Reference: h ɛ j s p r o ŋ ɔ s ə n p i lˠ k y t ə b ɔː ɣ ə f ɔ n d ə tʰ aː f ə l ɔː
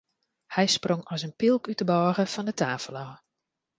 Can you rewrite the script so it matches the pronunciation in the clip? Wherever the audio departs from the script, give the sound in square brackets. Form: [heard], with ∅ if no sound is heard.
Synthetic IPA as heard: h ɛ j s p r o ŋ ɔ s ə n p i lˠ k y t ə b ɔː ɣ ə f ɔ n d ə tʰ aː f ə l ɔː

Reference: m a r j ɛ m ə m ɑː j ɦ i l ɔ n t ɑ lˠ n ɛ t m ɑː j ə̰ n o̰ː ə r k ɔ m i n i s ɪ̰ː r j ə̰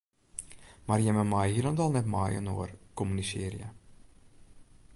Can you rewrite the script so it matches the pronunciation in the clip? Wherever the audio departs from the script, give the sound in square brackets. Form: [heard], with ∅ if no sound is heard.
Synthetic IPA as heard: m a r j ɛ m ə m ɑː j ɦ i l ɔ n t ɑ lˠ n ɛ t m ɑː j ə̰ n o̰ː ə r k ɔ m [y] n i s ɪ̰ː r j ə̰

